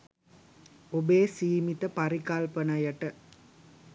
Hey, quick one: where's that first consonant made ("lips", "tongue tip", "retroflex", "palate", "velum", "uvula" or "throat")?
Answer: lips